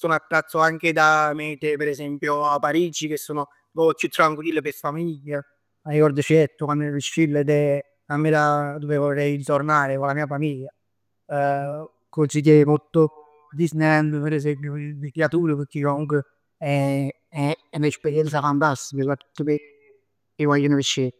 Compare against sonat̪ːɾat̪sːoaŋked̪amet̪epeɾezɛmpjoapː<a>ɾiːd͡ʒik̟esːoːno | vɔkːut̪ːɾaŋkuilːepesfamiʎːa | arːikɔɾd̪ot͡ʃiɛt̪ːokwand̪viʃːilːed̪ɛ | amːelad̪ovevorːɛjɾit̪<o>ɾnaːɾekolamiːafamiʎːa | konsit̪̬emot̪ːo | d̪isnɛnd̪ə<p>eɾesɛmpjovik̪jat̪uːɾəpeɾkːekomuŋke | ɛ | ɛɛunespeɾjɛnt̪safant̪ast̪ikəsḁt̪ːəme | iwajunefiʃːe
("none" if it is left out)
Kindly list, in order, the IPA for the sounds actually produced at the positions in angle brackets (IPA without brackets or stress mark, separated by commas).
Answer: a, o, p